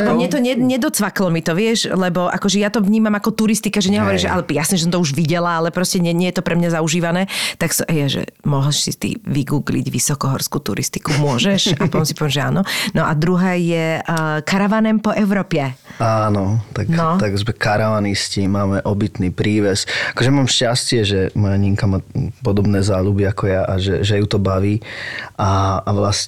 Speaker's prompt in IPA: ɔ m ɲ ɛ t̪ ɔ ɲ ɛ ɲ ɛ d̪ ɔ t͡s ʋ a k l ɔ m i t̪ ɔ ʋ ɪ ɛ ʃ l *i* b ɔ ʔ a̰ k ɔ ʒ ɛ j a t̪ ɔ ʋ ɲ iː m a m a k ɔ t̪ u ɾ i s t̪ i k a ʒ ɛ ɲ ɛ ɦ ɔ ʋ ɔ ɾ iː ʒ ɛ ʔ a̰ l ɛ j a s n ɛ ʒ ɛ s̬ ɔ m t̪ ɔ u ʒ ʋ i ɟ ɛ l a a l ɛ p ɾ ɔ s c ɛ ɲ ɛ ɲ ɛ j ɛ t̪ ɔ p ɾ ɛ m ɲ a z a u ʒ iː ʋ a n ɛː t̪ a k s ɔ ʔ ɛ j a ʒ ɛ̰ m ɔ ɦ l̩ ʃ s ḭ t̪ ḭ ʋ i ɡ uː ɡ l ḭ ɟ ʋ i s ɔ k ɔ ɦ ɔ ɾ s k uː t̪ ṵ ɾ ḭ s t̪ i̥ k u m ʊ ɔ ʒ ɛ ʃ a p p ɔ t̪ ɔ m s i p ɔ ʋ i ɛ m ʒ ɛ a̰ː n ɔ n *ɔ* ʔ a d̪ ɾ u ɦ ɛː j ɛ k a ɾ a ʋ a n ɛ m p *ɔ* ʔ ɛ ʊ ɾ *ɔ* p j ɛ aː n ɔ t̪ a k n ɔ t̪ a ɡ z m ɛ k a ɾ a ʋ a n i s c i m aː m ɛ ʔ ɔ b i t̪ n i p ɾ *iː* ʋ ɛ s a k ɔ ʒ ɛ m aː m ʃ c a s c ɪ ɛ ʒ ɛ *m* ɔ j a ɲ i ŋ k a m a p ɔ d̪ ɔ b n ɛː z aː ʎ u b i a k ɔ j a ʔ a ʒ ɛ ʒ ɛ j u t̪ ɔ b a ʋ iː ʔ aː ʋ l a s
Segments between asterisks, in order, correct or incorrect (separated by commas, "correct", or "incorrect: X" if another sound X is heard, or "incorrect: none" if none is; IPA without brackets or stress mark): incorrect: ɛ, correct, correct, incorrect: ɔː, correct, correct